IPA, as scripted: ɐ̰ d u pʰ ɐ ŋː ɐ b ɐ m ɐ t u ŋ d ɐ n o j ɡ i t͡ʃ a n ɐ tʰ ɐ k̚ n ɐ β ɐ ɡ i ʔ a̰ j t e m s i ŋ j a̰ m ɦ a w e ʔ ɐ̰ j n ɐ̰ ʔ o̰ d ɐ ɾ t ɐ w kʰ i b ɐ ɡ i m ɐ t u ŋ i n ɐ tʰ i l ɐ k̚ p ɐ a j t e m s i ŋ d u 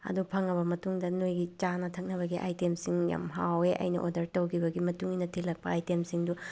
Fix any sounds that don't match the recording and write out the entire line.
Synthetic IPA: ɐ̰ d u pʰ ɐ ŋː ɐ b ɐ m ɐ t u ŋ d ɐ n o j ɡ i t͡ʃ a n ɐ tʰ ɐ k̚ n ɐ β ɐ ɡ i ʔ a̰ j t e m s i ŋ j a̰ m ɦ a w e ʔ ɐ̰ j n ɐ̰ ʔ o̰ d ɐ ɾ t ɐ w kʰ i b ɐ ɡ i m ɐ t u ŋ i n ɐ tʰ i l ɐ k̚ p ɐ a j t e m s i ŋ d u